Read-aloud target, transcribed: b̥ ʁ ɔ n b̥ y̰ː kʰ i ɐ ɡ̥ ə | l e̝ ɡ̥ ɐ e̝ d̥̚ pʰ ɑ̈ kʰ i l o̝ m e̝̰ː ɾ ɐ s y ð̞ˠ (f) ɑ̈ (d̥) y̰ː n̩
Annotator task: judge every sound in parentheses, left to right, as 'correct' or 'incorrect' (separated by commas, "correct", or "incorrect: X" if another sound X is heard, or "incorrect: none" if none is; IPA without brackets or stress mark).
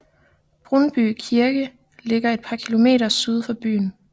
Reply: correct, incorrect: b̥